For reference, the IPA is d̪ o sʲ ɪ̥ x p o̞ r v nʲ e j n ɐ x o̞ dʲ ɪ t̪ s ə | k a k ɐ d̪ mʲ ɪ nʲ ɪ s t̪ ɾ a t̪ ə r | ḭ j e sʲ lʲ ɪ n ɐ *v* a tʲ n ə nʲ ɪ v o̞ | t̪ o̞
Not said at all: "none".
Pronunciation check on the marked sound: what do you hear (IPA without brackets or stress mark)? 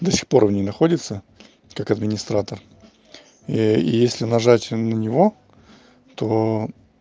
ʐ